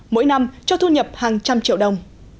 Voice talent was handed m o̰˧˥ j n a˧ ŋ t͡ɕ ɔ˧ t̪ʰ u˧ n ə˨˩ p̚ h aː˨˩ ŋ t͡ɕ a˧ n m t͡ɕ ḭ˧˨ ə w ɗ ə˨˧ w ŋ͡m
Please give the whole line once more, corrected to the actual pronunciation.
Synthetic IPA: m o̰˧˥ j n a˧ m t͡ɕ ɔ˧ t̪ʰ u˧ ɲ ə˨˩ p̚ h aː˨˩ ŋ t͡ɕ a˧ m t͡ɕ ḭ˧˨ ə w ɗ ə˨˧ w ŋ͡m